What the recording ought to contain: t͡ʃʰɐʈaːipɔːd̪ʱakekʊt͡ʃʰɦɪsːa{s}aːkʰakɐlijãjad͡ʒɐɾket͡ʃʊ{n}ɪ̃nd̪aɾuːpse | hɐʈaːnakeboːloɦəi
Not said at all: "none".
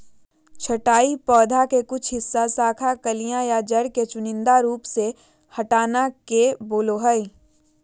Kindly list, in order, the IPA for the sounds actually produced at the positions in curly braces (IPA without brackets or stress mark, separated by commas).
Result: s, n